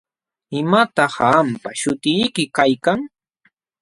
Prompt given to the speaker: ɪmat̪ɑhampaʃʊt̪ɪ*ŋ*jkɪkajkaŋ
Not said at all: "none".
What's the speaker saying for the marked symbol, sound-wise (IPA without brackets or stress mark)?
none